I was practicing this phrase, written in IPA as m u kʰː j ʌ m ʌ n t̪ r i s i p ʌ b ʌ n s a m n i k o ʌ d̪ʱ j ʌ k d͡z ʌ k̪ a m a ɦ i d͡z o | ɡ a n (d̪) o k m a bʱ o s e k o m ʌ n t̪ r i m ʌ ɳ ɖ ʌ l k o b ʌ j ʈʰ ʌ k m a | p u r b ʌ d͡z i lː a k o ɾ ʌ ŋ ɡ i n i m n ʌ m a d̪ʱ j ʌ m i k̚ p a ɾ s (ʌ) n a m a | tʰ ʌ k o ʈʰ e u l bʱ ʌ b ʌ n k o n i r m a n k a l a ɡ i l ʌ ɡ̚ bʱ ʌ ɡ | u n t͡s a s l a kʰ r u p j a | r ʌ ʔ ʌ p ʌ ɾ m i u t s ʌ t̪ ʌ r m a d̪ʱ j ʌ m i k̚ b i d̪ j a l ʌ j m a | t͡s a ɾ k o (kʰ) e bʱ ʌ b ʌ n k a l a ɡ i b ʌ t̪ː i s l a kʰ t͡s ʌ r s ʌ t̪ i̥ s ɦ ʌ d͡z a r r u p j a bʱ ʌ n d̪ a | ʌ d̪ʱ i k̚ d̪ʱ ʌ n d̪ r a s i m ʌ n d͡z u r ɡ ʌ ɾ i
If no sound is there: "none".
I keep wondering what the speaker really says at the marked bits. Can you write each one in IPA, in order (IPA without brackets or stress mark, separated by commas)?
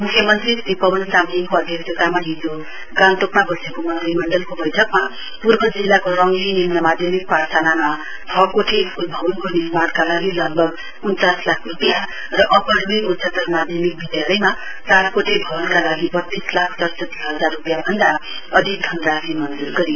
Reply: t̪, a, ʈʰ